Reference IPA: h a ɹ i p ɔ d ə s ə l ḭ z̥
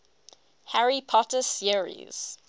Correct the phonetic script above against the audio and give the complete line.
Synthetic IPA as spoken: h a ɹ i pʰ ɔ t ə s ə ɹ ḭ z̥